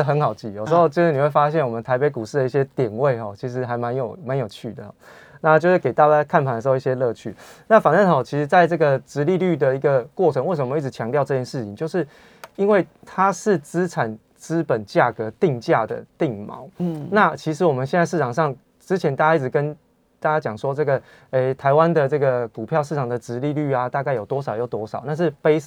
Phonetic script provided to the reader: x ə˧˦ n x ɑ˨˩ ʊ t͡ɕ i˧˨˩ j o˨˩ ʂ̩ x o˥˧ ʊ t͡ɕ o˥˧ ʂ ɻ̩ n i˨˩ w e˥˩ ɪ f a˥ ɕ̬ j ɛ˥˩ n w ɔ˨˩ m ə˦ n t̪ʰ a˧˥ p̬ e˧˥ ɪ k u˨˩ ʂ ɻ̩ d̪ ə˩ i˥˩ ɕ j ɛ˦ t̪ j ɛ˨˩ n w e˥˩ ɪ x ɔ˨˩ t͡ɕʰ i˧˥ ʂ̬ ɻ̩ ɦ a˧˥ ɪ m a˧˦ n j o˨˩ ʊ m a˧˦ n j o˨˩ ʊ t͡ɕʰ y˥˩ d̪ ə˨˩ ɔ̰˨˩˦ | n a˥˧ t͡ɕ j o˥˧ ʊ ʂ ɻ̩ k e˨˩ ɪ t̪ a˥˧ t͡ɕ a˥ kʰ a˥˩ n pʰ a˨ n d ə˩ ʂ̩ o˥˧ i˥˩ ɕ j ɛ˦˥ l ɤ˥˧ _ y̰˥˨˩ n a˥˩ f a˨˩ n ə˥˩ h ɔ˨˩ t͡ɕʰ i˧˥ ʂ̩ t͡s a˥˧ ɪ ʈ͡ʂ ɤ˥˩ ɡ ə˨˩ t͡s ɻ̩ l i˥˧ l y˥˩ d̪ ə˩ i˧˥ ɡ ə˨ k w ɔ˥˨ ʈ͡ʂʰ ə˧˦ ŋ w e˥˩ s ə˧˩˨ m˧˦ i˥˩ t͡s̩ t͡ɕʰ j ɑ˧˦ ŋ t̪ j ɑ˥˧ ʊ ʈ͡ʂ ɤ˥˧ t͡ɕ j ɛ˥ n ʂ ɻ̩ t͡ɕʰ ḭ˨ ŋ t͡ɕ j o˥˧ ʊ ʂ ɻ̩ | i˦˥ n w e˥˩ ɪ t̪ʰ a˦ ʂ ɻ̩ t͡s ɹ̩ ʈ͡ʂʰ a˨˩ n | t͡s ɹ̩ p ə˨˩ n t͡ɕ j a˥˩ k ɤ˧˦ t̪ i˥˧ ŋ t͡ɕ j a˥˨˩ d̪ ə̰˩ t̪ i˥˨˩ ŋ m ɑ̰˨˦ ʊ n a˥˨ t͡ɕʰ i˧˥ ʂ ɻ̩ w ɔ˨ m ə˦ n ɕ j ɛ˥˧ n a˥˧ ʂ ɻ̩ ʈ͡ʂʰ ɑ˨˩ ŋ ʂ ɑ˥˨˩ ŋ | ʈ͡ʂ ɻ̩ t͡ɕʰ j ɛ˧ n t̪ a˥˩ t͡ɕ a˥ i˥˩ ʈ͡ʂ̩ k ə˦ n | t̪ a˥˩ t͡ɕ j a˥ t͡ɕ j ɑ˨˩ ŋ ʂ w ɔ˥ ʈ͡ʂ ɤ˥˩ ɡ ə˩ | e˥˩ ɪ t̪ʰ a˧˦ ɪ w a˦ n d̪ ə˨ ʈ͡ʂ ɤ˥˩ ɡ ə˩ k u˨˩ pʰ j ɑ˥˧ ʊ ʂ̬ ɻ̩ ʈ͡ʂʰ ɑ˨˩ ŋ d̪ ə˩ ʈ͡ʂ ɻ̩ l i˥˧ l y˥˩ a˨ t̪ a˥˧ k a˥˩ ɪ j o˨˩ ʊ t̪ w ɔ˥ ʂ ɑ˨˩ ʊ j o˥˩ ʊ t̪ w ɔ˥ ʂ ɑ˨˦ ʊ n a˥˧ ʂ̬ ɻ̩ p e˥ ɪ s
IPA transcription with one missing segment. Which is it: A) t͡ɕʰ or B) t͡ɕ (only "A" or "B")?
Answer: A